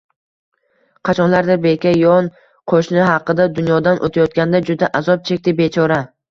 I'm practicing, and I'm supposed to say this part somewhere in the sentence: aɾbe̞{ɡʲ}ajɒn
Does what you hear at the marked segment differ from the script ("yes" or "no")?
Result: yes